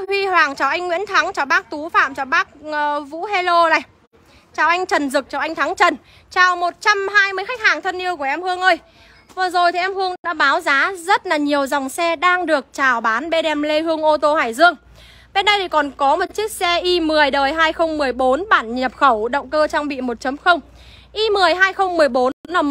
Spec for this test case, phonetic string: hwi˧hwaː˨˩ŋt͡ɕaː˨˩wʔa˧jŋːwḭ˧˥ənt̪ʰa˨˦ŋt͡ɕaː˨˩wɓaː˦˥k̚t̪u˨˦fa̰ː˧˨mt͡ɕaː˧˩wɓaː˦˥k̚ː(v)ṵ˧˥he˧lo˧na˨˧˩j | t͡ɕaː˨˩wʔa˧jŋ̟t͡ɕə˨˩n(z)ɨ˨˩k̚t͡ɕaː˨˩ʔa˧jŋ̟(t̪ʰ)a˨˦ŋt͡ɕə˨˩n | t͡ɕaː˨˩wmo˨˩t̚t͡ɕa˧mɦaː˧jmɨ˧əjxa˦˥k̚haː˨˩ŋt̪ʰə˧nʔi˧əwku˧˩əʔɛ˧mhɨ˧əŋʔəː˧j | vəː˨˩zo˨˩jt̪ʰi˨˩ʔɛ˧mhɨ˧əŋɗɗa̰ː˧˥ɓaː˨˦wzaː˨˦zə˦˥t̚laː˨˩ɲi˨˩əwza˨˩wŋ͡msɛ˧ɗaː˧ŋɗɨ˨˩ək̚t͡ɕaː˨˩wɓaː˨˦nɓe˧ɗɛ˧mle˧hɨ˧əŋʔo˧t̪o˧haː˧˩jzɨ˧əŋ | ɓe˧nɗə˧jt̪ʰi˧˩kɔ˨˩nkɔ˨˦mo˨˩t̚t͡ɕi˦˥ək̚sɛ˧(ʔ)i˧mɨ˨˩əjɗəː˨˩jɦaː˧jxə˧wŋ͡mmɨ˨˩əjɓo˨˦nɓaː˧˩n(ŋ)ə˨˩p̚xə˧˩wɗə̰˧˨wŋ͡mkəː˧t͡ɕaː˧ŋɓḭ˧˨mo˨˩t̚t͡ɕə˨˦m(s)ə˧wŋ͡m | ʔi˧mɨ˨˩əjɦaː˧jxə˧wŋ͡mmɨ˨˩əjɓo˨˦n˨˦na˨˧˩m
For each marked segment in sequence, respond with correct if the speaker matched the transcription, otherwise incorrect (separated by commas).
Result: correct, correct, correct, correct, incorrect, incorrect